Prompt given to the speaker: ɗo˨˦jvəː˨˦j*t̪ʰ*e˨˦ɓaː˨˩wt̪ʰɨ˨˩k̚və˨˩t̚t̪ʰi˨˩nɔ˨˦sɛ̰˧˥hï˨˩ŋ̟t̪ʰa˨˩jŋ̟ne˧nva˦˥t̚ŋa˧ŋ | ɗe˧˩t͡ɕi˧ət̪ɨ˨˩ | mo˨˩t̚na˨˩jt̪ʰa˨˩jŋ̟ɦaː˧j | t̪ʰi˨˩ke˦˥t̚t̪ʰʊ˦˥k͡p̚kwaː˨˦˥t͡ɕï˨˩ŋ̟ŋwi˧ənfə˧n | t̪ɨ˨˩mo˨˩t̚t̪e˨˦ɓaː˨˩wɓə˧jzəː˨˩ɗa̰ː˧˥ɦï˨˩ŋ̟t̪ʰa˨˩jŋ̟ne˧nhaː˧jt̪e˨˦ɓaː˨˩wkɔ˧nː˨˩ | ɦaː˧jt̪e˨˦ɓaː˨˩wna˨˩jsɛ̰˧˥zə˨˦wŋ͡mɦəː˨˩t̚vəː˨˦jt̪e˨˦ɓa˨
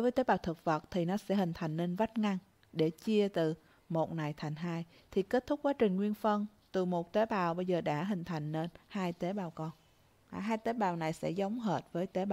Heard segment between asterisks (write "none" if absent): t̪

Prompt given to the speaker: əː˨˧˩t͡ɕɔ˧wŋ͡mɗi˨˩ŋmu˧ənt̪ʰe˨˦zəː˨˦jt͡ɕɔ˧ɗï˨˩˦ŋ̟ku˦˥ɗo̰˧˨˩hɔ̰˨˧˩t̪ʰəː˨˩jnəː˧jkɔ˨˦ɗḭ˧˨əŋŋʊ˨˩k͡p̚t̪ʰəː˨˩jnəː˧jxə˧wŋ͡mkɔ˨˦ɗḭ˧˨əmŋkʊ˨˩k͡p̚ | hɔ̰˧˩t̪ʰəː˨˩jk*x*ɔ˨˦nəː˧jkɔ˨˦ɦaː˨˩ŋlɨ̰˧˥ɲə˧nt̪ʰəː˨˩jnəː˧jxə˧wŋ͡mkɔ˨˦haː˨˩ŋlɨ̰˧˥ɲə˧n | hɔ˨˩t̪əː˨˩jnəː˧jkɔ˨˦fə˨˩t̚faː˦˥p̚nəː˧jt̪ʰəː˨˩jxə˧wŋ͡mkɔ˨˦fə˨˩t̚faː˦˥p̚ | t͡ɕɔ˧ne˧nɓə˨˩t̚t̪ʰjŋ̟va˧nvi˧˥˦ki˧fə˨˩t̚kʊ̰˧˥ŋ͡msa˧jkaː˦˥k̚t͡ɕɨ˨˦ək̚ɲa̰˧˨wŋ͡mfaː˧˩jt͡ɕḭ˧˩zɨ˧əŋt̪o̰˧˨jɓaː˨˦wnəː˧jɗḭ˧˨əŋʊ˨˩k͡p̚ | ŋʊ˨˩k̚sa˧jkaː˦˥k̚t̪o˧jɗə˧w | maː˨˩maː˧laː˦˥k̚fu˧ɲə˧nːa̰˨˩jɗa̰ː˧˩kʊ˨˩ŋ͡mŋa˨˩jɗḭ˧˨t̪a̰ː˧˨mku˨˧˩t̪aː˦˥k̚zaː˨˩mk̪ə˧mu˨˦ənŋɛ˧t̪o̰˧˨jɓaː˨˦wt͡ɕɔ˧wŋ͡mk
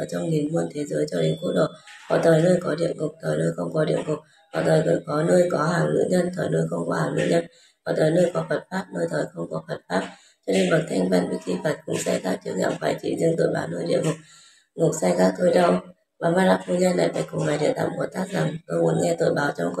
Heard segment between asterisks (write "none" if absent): k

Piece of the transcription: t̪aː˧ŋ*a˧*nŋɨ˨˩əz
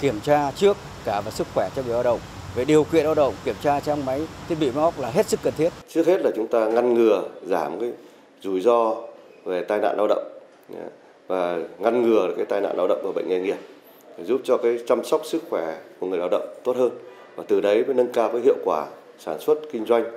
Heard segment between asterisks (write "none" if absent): a˧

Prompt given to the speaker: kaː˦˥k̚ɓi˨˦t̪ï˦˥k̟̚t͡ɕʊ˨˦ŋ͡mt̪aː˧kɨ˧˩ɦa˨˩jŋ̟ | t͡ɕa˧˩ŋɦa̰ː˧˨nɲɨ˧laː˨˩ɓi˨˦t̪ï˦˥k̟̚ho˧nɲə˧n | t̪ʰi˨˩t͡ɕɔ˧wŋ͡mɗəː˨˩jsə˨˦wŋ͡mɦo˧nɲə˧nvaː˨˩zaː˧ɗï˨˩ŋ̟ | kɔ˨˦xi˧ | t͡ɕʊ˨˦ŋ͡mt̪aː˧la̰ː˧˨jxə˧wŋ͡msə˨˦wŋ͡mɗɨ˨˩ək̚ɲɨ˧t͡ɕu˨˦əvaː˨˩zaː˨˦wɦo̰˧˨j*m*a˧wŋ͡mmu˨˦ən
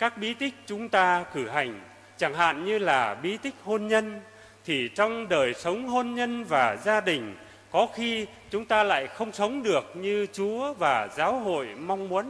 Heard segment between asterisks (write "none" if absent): m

